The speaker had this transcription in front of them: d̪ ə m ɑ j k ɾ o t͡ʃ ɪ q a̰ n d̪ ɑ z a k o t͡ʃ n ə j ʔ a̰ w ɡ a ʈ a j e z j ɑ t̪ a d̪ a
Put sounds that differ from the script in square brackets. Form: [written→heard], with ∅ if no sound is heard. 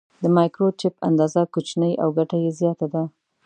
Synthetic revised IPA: d̪ ə m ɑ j k ɾ o t͡ʃ ɪ [q→p] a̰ n d̪ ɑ z a k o t͡ʃ n ə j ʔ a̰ w ɡ a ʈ a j e z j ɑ t̪ a d̪ a